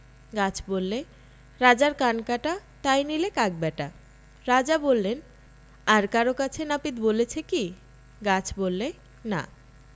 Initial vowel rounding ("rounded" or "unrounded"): unrounded